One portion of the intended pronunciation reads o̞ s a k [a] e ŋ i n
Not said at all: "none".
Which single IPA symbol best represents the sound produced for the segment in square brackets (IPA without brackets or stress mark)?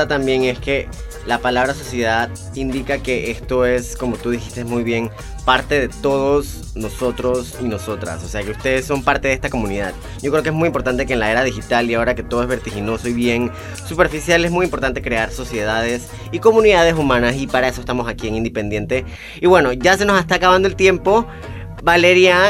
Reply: i